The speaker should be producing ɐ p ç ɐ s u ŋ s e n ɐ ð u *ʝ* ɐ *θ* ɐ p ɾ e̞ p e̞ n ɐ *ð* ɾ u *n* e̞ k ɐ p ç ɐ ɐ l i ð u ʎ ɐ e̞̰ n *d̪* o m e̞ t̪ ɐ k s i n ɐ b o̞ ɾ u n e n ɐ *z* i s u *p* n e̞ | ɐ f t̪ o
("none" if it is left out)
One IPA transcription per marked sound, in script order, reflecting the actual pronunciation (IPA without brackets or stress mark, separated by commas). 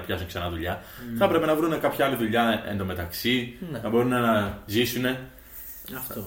ʎ, θ, v, n, d̪, z, none